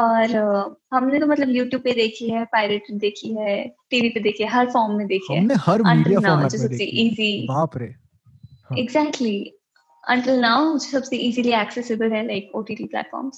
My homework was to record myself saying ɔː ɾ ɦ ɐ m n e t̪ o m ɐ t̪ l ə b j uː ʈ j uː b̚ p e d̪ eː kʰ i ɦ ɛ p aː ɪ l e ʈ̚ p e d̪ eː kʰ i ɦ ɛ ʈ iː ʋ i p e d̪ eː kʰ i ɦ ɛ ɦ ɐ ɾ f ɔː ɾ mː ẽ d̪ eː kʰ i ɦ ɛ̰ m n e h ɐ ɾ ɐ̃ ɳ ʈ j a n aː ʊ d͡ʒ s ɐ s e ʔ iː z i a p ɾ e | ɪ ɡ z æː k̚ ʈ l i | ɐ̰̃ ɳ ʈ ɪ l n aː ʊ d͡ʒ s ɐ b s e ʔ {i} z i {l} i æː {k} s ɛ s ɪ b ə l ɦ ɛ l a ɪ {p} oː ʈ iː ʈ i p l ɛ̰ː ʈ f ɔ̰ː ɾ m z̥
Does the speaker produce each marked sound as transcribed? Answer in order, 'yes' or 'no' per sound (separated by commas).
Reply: no, yes, yes, no